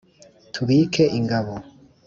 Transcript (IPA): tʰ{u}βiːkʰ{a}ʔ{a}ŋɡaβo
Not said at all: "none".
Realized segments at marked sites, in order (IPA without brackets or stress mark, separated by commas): u, e, i